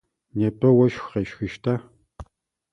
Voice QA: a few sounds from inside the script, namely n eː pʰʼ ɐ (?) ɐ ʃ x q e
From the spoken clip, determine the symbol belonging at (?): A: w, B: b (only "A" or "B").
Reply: A